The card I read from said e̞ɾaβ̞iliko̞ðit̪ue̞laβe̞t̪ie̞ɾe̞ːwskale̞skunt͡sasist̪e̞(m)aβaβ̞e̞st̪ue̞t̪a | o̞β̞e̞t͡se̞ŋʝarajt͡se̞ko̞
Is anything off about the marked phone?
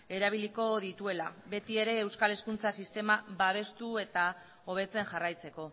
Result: no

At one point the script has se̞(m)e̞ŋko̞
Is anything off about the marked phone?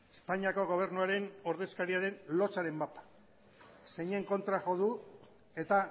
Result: yes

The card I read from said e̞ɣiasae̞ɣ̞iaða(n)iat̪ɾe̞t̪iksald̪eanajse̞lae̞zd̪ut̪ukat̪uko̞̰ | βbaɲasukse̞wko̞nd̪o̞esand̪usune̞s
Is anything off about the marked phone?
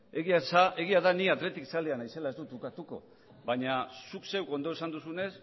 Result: no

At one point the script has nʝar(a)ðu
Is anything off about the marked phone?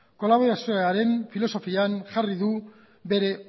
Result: yes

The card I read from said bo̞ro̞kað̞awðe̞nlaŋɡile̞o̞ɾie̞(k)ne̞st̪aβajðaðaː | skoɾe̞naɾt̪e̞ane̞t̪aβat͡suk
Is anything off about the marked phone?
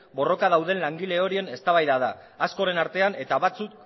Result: yes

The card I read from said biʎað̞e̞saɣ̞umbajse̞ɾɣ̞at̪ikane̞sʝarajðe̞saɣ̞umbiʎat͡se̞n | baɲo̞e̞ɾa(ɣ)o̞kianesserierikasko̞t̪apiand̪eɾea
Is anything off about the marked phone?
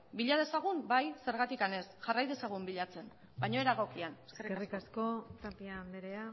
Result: no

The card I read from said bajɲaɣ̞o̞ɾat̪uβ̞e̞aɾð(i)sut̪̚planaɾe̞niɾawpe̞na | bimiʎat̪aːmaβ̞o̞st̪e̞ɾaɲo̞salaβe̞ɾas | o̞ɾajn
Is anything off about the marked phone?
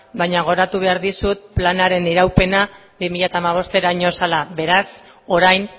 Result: no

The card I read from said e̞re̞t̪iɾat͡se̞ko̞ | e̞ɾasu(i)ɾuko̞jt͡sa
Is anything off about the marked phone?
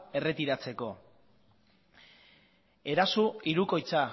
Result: no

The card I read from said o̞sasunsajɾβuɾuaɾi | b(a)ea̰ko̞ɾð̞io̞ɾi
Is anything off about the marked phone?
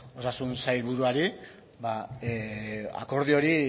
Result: no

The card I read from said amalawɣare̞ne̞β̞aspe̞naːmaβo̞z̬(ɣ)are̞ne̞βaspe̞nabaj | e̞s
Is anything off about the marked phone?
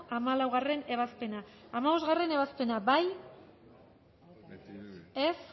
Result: no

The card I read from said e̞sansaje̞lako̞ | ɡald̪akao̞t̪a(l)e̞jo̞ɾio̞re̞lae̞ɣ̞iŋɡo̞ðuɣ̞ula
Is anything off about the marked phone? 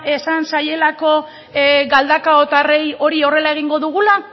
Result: yes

